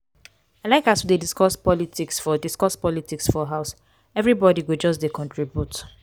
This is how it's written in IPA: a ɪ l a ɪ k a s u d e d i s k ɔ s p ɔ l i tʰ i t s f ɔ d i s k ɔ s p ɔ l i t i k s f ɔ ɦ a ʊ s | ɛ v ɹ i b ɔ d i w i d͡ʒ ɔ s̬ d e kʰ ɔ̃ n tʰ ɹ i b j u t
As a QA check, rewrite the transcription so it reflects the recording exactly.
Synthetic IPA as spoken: a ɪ l a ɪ k a s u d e d i s k ɔ s p ɔ l i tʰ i k s f ɔ d i s k ɔ s p ɔ l i t i k s f ɔ ɦ a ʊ s | ɛ v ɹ i b ɔ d i w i d͡ʒ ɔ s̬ d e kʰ ɔ̃ n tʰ ɹ i b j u t

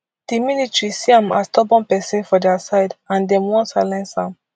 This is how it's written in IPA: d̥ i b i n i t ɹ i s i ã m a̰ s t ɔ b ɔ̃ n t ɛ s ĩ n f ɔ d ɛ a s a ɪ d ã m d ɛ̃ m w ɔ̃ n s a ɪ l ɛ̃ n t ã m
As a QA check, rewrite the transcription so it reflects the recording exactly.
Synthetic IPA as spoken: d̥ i m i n i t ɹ i s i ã m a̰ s t ɔ b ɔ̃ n p ɛ s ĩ n f ɔ d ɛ a s a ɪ d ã n d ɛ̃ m w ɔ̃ n s a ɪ l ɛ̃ n s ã m

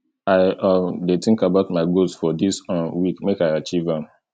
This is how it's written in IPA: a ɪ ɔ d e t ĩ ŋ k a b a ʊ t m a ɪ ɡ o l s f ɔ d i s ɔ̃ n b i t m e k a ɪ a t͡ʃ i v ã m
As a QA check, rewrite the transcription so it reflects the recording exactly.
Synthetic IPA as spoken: a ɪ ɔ d e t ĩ ŋ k a b a ʊ t m a ɪ ɡ o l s f ɔ d i s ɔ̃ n w i k m e k a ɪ a t͡ʃ i v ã m

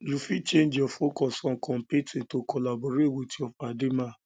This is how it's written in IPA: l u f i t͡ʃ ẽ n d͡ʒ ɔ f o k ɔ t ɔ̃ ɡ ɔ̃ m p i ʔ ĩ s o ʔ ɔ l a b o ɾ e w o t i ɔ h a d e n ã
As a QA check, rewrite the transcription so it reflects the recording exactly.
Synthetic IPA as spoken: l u f i t͡ʃ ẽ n d͡ʒ ɔ f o k ɔ s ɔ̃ k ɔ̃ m p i t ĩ t o k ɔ l a b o ɾ e w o t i ɔ f a d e m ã

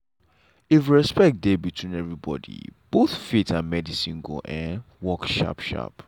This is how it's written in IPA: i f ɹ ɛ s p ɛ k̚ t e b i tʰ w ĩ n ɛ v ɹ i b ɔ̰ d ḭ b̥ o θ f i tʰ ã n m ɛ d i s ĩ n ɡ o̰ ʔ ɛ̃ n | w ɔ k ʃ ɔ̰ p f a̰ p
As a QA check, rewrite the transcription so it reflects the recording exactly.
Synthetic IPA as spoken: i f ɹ ɛ s p ɛ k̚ d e b i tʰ w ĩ n ɛ v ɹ i b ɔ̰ d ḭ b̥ o θ f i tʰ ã n m ɛ d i s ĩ n ɡ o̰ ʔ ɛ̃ n | w ɔ k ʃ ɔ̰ p ʃ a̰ p

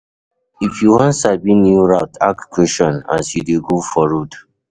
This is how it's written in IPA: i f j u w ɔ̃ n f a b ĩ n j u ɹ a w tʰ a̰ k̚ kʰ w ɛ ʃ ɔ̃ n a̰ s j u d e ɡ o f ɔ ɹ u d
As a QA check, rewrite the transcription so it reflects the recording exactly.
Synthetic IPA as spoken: i f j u w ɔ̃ n s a b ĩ n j u ɹ a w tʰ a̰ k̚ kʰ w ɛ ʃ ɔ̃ n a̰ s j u d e ɡ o f ɔ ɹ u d

